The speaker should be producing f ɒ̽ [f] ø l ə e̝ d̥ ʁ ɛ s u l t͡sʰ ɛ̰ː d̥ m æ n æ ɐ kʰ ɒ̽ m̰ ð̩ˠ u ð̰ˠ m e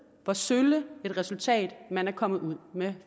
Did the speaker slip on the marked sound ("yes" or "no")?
yes